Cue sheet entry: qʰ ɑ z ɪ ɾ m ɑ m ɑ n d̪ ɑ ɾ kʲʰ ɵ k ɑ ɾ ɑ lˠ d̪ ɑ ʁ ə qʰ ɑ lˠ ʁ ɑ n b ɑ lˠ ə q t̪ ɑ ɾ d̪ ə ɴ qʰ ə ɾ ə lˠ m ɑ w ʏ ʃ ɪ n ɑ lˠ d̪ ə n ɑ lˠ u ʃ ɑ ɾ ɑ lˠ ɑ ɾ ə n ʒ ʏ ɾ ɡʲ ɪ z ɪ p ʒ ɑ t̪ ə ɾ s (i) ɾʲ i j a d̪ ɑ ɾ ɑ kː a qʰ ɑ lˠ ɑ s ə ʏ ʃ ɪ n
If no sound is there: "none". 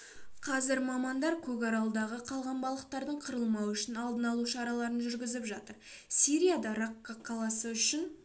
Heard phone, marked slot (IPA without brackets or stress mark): i